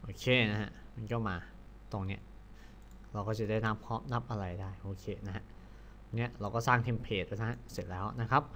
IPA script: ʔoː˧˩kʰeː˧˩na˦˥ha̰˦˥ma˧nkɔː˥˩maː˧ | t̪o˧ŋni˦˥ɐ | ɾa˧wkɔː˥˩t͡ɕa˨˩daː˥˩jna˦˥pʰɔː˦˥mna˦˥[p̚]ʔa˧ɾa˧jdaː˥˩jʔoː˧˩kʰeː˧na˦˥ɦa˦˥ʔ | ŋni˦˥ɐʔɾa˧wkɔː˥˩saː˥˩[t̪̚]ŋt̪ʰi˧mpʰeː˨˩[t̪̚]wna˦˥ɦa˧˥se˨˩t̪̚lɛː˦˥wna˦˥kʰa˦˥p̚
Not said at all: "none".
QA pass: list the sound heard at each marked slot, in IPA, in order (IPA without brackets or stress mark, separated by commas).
p̚, none, t̪̚